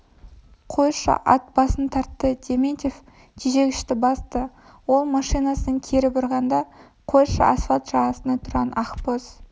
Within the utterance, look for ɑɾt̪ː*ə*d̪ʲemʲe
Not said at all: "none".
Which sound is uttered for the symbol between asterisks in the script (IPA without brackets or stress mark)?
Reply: ə